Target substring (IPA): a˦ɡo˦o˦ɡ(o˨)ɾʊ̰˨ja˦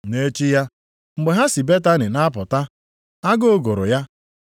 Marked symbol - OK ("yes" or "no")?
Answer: yes